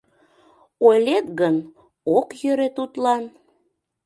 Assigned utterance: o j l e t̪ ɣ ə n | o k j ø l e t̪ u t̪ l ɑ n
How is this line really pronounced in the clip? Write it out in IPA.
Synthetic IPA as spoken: o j l e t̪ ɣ ə n | o k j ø ɾ e t̪ u t̪ l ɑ n